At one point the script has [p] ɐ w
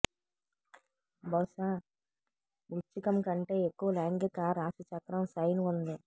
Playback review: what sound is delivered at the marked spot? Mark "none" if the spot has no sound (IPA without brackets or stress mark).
b